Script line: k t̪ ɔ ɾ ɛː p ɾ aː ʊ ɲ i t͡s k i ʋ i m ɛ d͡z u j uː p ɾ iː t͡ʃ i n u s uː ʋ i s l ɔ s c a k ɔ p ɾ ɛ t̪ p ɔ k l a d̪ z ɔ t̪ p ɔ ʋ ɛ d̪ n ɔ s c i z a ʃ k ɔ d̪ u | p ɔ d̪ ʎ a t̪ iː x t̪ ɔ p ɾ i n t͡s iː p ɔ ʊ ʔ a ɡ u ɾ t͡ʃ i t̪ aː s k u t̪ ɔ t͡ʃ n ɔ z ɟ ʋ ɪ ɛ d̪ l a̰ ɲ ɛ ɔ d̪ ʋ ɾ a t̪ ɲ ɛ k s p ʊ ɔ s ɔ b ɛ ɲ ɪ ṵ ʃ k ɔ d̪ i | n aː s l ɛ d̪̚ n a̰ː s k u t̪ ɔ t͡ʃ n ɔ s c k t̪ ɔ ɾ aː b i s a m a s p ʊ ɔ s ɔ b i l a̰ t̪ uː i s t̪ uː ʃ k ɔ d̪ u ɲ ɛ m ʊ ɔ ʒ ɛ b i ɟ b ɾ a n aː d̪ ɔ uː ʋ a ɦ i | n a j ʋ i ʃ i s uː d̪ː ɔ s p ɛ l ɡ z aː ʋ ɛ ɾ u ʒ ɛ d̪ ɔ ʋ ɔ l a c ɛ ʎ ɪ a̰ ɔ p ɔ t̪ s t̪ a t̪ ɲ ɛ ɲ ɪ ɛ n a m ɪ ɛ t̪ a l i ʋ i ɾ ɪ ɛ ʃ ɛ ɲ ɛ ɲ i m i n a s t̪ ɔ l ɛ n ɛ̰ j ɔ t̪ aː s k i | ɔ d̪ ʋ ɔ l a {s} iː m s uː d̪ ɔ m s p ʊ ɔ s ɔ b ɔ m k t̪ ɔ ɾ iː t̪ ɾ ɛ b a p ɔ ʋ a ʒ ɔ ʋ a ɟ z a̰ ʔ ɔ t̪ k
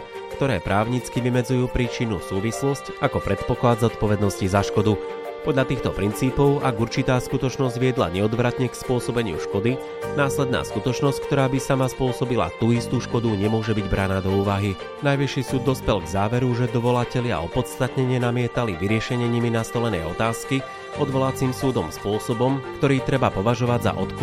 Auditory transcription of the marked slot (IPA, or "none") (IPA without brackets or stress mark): t͡s